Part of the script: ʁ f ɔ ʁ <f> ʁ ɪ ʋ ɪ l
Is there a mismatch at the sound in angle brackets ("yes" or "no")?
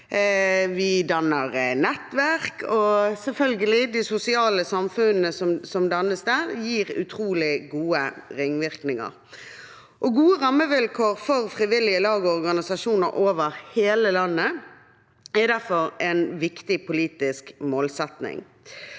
no